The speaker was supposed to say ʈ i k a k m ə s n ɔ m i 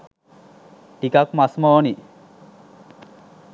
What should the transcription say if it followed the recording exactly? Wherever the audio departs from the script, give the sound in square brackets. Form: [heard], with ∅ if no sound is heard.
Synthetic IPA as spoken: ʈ i k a k m [a] s [m] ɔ [n] i